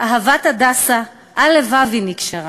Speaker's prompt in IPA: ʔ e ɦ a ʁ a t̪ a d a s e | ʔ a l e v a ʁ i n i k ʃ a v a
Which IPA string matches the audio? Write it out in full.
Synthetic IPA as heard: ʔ a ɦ a v a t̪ a d a s a | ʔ a l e v a v i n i k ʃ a ʁ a